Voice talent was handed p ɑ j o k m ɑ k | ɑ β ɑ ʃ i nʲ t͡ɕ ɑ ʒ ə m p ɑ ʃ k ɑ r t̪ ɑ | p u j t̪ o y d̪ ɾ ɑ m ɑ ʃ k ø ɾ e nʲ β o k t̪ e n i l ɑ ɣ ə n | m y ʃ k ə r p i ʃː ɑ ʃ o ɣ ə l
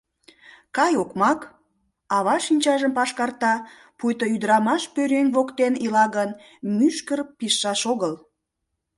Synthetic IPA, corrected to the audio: k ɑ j o k m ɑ k | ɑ β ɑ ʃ i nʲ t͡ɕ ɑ ʒ ə m p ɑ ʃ k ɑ r t̪ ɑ | p u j t̪ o y d̪ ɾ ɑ m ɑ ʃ p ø ɾ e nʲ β o k t̪ e n i l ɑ ɣ ə n | m y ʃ k ə r p i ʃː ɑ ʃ o ɣ ə l